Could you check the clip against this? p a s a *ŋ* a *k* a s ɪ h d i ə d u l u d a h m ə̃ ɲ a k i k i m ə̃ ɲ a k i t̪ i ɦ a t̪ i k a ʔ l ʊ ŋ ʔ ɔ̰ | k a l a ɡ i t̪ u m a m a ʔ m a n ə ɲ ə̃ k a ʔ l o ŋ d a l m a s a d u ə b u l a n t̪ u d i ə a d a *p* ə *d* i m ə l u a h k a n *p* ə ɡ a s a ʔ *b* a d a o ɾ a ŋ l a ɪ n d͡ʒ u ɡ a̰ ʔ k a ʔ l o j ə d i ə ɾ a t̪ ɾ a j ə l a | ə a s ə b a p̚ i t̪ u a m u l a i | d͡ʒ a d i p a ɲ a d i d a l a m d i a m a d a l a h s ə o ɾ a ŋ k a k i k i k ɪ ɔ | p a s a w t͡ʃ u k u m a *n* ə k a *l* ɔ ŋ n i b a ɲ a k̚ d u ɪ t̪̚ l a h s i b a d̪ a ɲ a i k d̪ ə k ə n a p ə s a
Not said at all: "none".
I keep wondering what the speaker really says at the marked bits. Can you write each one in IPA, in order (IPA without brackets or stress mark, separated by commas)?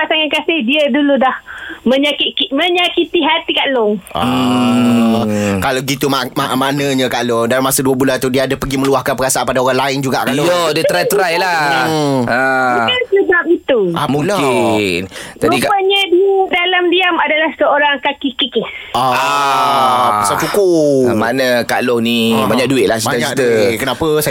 ŋ, k, p, ɡ, p, p, n, l